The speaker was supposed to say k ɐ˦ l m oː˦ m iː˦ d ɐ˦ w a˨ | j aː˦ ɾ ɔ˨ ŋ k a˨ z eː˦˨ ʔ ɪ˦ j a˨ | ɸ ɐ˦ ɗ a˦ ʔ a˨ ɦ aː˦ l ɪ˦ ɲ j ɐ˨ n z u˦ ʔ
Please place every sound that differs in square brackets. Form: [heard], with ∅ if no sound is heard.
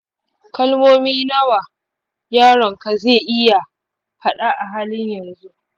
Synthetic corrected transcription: k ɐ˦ l m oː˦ m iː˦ [n] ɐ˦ w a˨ | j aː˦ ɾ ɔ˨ ŋ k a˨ z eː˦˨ ʔ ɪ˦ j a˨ | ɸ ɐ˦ ɗ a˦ ʔ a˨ ɦ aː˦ l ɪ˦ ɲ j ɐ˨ n z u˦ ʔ